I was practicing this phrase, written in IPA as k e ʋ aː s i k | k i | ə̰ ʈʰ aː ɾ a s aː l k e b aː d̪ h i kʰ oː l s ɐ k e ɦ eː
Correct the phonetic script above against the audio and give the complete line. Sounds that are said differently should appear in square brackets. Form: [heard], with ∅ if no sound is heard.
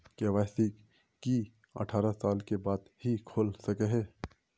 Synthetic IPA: k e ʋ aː s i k | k i | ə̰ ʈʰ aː ɾ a s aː l k e b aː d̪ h i kʰ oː l s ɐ k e ɦ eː